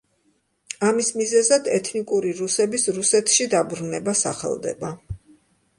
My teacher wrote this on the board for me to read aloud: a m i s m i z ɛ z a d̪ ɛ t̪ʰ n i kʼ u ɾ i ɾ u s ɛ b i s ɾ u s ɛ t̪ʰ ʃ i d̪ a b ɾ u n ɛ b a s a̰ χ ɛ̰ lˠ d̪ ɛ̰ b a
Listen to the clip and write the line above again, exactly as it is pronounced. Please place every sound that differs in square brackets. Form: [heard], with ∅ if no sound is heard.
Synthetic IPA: a m i s m i z ɛ z a d̪ ɛ t̪ʰ n i kʼ u ɾ i ɾ u s ɛ b i s ɾ u s ɛ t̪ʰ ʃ i d̪ a b ɾ u n ɛ b a s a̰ χ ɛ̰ lˠ d̪ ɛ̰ b a